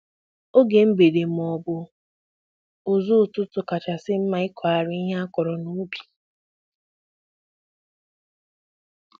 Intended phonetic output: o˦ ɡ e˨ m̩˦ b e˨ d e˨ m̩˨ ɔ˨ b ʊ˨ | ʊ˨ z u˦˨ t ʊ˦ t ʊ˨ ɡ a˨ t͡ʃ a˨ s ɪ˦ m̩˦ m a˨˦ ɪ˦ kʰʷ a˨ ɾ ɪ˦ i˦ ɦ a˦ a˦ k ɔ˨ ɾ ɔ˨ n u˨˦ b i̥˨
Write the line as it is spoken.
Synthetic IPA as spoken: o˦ ɡ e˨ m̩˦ b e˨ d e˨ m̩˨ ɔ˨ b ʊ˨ | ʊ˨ z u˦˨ t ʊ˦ t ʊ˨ k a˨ t͡ʃ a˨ s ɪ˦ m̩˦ m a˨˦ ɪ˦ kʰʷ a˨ ɾ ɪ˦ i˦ ɦ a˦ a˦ k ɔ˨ ɾ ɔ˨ n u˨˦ b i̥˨